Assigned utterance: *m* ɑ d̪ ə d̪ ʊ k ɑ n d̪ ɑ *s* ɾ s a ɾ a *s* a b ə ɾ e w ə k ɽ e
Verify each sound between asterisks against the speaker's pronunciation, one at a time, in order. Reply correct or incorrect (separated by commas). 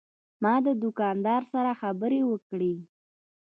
correct, incorrect, incorrect